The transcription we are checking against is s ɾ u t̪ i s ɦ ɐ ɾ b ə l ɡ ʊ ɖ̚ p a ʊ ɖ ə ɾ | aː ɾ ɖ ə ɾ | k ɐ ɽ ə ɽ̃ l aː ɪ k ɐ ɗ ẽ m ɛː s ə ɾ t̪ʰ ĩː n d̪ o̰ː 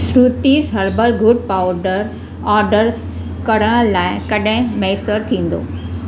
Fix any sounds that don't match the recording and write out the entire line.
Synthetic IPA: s ɾ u t̪ i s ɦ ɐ ɾ b ə l ɡ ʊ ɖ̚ p a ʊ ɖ ə ɾ | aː ɾ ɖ ə ɾ | k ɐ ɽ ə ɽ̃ l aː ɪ k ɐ ɗ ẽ m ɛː s ə ɾ t̪ʰ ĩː n d̪ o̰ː